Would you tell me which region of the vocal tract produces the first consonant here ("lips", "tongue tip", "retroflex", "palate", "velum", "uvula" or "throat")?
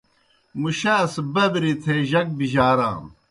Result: lips